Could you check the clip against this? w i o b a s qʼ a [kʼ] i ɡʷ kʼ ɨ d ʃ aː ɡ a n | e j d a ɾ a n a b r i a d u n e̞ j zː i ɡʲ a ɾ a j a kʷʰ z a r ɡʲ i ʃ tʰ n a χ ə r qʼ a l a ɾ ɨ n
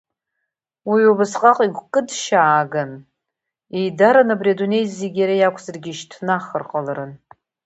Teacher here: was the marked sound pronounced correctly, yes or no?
no